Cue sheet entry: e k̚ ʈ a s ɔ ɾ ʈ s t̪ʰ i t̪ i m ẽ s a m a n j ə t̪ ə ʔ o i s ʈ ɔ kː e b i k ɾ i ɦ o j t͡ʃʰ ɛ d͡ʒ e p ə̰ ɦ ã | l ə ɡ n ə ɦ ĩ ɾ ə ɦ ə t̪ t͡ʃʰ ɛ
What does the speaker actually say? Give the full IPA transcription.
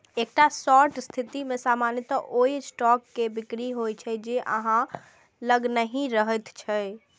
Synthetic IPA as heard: e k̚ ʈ a s ɔ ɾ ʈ s t̪ʰ i t̪ i m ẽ s a m a n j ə t̪ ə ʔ o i s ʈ ɔ kː e b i k ɾ i ɦ o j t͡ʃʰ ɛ d͡ʒ e ʔ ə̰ ɦ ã | l ə ɡ n ə ɦ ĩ ɾ ə ɦ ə t̪ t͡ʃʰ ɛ